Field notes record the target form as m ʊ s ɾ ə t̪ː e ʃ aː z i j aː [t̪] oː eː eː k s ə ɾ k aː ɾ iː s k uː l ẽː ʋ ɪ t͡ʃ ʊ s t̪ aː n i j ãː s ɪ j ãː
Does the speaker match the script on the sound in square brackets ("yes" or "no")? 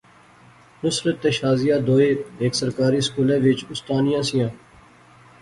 no